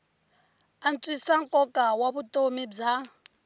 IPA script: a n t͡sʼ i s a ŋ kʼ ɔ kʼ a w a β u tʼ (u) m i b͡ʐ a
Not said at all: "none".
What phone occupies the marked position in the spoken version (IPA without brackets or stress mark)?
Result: o